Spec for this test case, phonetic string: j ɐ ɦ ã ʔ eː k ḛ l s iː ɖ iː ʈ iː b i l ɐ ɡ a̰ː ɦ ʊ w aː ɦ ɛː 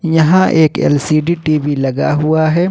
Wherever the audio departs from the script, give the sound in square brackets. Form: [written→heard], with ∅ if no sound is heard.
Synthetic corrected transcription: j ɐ ɦ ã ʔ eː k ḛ l s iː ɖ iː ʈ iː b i l ɐ ɡ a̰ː ɦ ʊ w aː ɦ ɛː